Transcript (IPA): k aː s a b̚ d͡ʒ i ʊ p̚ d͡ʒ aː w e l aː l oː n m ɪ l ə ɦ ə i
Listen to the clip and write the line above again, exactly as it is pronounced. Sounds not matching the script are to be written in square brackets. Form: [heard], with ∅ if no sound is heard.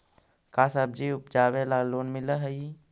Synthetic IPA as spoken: k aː s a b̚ d͡ʒ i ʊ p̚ d͡ʒ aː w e l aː l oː n m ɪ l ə ɦ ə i